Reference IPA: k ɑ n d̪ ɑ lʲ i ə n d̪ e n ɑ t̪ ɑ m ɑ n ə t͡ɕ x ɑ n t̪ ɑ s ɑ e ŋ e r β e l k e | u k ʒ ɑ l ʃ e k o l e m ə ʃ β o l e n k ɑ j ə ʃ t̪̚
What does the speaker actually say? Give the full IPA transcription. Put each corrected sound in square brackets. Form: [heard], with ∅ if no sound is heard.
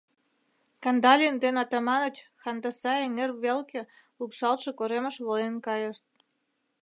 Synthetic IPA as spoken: k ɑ n d̪ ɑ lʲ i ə n d̪ e n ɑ t̪ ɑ m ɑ n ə t͡ɕ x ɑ n [d̪] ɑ s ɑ e ŋ e r β e l k e | u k [ʃ] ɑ l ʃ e k o [ɾ] e m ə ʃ β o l e n k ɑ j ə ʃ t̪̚